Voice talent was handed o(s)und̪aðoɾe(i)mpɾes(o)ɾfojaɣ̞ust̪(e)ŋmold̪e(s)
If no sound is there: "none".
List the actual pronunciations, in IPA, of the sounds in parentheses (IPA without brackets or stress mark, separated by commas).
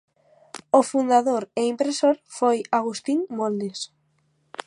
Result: f, i, o, i, s